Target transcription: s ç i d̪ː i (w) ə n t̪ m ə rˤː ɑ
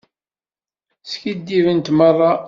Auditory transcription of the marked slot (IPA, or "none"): v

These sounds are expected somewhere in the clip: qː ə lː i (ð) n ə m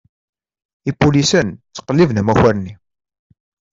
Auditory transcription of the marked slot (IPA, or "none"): v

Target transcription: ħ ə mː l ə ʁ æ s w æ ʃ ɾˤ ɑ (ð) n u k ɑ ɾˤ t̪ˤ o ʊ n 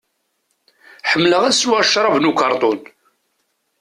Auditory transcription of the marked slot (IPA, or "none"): v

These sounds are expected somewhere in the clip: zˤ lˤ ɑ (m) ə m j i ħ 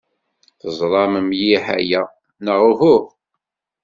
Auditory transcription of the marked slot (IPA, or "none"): m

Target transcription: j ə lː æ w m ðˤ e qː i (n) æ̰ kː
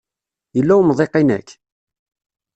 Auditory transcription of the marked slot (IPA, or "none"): n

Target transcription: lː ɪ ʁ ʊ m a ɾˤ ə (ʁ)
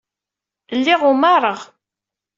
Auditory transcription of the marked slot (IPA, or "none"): ʁ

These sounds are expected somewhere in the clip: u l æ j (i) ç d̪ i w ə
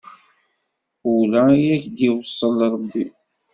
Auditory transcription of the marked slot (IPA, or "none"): æ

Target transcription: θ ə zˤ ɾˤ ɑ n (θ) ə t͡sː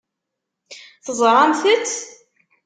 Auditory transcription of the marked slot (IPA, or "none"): θ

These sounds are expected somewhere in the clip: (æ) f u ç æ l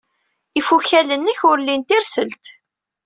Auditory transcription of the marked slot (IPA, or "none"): i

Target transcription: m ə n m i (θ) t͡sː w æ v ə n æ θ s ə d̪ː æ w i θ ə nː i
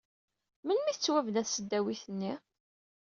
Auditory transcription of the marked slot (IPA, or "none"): θ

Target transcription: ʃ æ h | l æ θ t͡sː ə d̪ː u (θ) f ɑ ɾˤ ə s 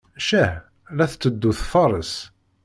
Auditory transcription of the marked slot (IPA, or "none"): θ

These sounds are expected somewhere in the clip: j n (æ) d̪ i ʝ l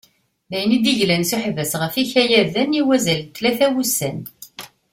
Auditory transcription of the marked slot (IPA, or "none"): i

